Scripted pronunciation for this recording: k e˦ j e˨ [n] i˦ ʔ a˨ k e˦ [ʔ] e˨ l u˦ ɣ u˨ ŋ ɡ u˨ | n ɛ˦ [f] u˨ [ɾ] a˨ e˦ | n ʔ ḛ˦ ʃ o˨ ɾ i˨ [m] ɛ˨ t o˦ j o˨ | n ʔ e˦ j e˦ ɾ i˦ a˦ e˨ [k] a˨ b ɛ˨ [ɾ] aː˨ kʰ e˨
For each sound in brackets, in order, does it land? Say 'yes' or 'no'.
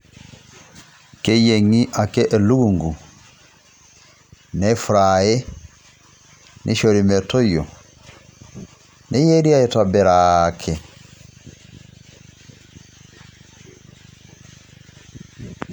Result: no, yes, yes, yes, yes, no, yes

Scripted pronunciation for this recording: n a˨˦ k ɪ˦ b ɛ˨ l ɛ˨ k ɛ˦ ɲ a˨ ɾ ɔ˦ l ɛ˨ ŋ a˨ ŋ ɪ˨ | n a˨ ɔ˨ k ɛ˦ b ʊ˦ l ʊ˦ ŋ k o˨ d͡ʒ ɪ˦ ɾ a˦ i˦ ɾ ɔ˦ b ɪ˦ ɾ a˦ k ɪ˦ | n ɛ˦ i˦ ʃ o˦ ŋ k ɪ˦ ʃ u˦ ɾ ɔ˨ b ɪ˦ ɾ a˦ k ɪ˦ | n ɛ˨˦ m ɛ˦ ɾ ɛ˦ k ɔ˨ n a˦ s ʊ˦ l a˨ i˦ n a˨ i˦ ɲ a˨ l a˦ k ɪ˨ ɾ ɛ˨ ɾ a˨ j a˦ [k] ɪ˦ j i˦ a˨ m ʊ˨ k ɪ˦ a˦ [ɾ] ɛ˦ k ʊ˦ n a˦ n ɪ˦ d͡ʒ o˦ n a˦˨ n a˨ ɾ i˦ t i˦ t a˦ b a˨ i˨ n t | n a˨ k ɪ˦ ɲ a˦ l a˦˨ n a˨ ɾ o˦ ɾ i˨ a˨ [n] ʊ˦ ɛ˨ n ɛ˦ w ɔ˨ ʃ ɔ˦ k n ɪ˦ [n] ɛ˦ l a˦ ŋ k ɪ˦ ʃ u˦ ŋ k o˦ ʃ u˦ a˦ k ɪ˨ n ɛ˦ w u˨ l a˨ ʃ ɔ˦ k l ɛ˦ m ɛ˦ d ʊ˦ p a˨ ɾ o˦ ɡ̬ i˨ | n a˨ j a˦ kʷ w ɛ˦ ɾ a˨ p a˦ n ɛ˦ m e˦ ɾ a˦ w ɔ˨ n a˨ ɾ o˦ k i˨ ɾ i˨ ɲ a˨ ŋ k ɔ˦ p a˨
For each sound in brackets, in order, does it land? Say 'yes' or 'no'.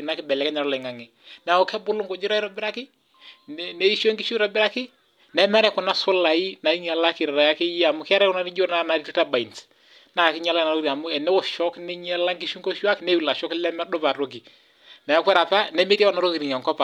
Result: yes, yes, no, no

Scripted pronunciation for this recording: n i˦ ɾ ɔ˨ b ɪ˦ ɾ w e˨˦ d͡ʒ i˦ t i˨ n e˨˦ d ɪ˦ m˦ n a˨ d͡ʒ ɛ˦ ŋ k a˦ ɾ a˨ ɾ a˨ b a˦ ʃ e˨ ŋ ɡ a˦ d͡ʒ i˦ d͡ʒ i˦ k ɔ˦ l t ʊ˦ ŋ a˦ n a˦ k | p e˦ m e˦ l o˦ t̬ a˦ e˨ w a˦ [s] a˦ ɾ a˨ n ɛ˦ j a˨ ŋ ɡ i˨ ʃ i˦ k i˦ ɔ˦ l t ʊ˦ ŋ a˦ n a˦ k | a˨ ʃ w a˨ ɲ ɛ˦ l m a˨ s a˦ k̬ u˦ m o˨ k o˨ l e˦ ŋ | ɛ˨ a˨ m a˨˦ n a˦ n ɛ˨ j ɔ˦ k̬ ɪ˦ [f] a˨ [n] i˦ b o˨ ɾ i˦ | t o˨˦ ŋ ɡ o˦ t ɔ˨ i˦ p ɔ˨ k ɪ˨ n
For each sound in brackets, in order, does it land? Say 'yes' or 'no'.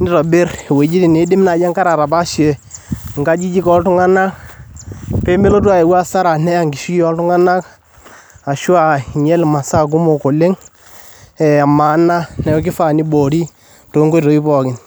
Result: yes, yes, yes

